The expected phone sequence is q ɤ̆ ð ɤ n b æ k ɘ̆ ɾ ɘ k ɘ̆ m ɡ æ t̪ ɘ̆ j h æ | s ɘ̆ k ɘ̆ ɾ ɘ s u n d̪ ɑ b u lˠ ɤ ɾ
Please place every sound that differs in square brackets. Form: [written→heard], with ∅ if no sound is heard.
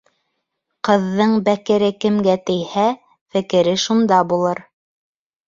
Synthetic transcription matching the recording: q ɤ̆ [ð→ðː] ɤ [n→ɴ] b æ k ɘ̆ ɾ ɘ k ɘ̆ m ɡ æ t̪ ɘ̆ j h æ | [s→f] ɘ̆ k ɘ̆ ɾ ɘ [s→ʃ] u n d̪ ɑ b u lˠ ɤ ɾ